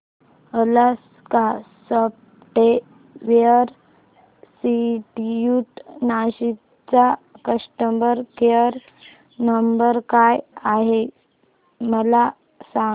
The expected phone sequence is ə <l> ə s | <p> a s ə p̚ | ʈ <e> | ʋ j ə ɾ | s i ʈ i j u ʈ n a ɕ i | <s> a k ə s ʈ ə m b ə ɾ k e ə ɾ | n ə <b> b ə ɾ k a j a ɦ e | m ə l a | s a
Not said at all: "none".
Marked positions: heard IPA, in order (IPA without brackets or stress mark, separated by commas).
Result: l, k, e, t͡s, m